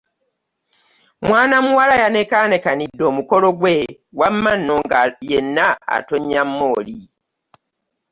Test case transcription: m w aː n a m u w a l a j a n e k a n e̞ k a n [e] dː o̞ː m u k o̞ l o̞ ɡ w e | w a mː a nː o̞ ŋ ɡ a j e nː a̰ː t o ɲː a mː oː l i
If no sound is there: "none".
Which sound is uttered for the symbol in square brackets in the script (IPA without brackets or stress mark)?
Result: i